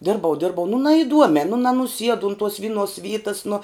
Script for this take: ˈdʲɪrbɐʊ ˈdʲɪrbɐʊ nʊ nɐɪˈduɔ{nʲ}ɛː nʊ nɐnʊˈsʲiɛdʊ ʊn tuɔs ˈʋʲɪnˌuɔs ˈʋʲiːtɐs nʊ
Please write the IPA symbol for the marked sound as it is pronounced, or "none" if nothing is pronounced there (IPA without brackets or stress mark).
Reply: mʲ